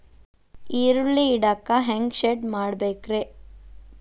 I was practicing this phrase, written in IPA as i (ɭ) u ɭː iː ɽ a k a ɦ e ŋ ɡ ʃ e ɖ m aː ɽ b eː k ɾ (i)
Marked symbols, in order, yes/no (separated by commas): no, no